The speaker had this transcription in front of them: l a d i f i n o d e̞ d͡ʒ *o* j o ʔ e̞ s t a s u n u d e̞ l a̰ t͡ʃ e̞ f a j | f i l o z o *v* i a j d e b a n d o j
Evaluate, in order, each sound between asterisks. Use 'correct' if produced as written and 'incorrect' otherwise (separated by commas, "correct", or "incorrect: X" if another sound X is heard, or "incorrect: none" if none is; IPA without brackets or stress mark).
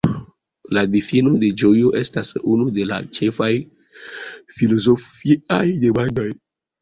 correct, incorrect: f